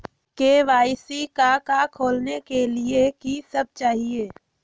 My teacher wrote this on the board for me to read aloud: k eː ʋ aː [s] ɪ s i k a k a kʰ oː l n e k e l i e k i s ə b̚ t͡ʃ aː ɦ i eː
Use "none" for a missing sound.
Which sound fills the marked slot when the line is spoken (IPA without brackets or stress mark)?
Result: none